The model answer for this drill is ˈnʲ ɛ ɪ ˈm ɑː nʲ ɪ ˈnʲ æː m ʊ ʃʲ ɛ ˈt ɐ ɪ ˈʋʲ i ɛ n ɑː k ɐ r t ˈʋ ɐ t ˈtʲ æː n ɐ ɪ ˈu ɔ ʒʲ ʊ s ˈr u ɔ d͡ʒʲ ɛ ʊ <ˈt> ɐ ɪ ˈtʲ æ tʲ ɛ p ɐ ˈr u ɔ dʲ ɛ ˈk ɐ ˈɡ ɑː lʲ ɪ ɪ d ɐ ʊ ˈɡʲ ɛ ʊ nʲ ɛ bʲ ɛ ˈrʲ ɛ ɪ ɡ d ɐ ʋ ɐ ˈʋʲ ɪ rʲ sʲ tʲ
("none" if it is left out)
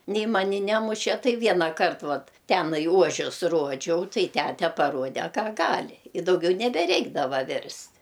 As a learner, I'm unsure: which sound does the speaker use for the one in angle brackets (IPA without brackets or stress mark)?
t